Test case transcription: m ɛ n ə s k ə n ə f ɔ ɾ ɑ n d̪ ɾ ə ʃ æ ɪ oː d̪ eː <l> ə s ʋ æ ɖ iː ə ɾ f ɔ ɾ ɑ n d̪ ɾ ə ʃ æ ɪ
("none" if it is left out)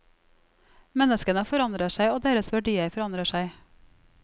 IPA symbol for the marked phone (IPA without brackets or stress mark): ɾ